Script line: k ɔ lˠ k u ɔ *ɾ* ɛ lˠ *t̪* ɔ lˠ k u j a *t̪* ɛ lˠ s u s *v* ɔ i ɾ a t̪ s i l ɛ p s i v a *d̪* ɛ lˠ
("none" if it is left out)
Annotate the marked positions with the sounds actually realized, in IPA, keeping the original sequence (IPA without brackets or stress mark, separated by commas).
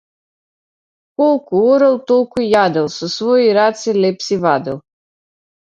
ɾ, t̪, d̪, v, d̪